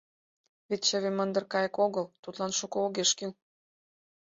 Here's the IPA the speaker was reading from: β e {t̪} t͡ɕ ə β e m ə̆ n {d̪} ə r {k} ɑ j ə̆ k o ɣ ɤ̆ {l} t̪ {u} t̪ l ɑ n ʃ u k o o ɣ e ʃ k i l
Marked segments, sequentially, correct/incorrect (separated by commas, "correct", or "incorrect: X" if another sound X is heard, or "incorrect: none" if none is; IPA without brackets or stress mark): correct, correct, correct, correct, correct